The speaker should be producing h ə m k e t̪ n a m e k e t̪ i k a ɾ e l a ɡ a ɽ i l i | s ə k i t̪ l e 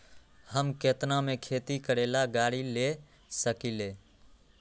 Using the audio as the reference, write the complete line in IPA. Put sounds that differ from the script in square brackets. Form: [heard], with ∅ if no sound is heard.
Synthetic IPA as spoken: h ə m k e t̪ n a m e [kʰ] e t̪ i k [ə] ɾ e l a ɡ a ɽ i l [e] | s ə k i [∅] l e